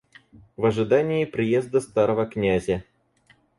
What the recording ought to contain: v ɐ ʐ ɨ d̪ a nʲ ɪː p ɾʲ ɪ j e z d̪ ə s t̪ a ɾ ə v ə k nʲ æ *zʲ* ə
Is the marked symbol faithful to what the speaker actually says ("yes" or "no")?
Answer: yes